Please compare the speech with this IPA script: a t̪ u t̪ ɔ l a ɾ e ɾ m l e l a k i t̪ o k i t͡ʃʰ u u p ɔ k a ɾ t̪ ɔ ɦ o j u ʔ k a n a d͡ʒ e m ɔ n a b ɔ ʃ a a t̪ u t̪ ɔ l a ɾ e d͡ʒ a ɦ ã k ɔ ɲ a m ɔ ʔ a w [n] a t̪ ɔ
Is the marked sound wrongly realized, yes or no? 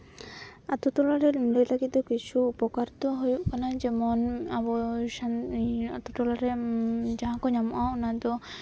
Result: no